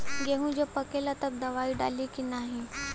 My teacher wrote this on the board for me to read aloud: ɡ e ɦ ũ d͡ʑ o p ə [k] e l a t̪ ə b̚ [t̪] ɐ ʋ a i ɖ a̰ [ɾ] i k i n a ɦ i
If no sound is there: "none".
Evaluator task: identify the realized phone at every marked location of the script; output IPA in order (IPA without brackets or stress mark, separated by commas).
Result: k, d̪, l